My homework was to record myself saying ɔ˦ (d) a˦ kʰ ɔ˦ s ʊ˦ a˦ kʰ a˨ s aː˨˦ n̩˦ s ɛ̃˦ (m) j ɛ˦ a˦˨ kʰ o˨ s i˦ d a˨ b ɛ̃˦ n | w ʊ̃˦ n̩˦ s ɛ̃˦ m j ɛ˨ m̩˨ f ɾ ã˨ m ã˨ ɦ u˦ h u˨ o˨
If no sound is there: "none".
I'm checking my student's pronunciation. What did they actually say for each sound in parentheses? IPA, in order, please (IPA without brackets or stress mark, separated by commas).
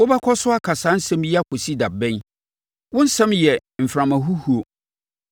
b, m